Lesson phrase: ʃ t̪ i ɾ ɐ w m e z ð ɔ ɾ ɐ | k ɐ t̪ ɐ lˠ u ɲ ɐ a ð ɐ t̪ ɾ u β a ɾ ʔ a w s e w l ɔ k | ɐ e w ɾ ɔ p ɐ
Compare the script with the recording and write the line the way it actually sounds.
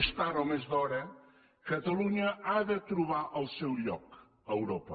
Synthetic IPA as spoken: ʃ t̪ a ɾ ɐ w m e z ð ɔ ɾ ɐ | k ɐ t̪ ɐ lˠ u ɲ ɐ a ð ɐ t̪ ɾ u β a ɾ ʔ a w s e w ʎ ɔ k | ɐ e w ɾ ɔ p ɐ